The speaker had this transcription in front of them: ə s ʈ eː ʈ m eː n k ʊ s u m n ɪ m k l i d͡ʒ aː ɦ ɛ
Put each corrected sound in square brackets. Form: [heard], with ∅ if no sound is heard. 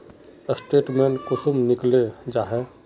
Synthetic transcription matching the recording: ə s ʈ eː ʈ m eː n k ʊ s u m n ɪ [∅] k l [e] d͡ʒ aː ɦ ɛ